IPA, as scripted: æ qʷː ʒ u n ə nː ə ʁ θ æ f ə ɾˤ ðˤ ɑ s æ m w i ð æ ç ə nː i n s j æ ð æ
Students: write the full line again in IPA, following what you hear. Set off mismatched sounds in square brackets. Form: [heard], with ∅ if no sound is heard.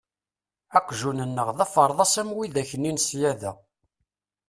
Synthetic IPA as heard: æ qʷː ʒ u n ə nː ə ʁ [ð] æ f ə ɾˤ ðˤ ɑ s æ m w i ð æ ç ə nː i n s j æ ð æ

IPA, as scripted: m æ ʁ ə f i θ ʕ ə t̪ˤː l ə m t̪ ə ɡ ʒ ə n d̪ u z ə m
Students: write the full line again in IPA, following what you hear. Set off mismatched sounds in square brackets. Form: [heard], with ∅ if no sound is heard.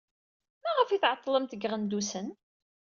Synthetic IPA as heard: m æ ʁ ə f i θ ʕ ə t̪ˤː l ə m t̪ ə ɡ [ʁ] ə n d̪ u [s] ə [n]

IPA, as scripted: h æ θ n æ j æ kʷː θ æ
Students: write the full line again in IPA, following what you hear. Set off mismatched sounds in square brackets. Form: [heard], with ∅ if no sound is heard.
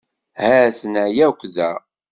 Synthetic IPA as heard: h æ θ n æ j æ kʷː [ð] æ

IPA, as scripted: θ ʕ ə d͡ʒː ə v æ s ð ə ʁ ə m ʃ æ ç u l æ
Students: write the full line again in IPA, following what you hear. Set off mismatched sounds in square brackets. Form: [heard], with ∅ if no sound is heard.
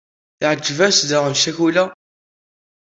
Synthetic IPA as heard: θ ʕ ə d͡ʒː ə v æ s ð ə ʁ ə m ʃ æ ç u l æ

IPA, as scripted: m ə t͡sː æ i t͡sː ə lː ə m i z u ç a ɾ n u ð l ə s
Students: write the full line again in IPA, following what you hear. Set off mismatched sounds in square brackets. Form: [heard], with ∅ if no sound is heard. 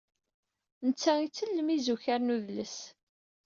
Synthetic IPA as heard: [n] ə t͡sː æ i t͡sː ə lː ə m i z u ç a ɾ n u ð l ə s

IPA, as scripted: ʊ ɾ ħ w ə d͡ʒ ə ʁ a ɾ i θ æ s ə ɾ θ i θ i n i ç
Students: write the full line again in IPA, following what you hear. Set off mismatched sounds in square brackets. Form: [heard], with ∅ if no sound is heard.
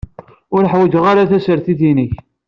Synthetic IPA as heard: ʊ ɾ ħ w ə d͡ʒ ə ʁ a ɾ [a] θ æ s ə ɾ θ i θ i n i ç

